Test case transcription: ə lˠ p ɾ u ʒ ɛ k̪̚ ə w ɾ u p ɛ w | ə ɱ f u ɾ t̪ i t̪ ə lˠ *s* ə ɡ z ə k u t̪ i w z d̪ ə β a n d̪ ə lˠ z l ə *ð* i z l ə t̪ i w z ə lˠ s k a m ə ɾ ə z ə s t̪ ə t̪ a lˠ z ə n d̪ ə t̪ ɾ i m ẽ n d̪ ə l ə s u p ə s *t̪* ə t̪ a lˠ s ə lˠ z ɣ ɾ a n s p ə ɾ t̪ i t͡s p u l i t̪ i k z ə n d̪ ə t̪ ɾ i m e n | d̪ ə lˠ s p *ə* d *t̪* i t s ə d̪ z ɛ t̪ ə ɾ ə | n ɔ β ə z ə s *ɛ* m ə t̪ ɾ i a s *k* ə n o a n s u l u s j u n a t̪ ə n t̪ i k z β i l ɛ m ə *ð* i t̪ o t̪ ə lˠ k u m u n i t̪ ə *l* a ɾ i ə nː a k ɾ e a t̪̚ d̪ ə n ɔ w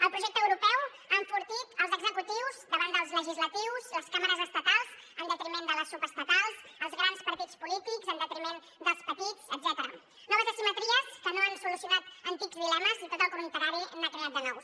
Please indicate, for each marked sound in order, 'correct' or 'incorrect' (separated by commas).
incorrect, incorrect, correct, correct, correct, incorrect, correct, incorrect, incorrect